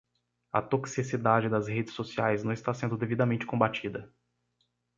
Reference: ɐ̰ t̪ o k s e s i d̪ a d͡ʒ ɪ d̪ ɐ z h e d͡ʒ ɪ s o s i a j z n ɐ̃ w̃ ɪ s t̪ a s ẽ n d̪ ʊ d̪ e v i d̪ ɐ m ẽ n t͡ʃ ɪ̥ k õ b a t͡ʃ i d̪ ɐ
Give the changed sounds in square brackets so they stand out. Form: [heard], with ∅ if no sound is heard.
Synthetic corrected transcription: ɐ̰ t̪ o k s [i] s i d̪ a d͡ʒ ɪ d̪ ɐ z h e d͡ʒ ɪ s o s i a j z n ɐ̃ w̃ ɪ s t̪ a s ẽ n d̪ ʊ d̪ e v i d̪ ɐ m ẽ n t͡ʃ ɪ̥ k õ b a t͡ʃ i d̪ ɐ